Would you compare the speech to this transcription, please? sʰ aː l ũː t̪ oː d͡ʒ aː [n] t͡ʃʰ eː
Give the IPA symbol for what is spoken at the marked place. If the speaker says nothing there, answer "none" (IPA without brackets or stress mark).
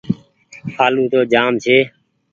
m